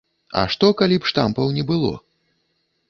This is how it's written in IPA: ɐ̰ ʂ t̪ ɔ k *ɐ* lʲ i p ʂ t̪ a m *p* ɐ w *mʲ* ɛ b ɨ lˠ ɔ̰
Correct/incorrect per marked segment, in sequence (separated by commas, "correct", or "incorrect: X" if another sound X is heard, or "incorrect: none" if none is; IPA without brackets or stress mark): incorrect: a, correct, incorrect: nʲ